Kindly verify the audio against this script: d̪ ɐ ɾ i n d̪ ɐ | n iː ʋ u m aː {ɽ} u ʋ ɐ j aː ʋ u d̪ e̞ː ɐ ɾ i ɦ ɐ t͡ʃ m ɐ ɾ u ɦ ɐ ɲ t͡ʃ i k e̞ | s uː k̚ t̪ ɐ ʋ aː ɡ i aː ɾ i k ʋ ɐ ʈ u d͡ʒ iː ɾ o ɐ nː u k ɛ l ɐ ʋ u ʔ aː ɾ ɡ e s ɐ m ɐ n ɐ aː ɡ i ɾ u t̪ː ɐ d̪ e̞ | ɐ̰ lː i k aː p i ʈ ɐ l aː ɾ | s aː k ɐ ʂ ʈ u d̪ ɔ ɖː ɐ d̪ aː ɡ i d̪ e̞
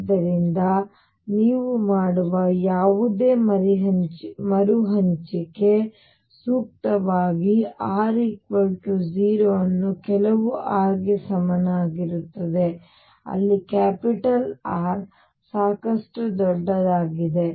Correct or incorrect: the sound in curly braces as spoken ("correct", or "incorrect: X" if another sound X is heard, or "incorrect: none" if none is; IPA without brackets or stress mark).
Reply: correct